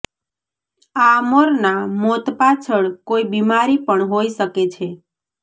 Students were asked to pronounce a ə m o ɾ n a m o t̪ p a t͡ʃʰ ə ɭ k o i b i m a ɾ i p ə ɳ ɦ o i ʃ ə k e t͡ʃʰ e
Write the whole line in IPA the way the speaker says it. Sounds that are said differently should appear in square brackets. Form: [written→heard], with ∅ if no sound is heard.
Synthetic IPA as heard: a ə m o ɾ n a m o t̪ p a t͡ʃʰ ə ɭ k o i b i m a ɾ i p ə ɳ ɦ o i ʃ ə k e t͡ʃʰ e